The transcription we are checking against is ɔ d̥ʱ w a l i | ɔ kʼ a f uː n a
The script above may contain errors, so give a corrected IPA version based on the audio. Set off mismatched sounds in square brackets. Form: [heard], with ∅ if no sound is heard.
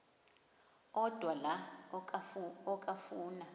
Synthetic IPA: ɔ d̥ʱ w a l [a] | ɔ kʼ a f uː n a